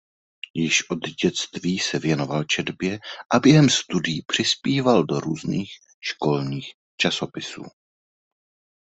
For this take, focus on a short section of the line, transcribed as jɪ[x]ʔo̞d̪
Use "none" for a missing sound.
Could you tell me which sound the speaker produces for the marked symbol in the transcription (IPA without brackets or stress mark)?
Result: ʃ